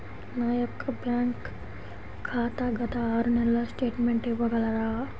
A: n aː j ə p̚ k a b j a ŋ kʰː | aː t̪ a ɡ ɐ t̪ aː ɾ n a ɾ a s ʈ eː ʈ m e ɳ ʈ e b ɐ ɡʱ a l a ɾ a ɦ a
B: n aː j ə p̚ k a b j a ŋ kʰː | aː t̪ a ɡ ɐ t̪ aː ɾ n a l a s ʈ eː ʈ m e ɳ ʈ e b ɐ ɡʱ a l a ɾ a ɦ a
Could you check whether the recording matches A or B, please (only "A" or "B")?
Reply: B